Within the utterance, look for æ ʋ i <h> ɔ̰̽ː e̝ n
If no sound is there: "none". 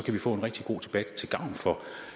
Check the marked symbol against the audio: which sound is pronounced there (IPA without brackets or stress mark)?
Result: f